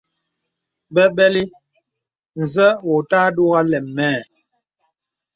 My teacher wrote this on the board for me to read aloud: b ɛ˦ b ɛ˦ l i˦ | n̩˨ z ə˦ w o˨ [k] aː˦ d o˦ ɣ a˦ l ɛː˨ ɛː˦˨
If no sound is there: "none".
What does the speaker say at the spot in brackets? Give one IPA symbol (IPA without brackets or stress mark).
t